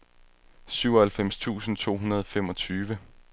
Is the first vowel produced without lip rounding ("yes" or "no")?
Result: no